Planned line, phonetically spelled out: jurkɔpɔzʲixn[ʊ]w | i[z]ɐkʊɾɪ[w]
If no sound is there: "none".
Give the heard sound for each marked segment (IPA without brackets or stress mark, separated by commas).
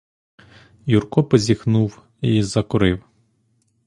u, z, w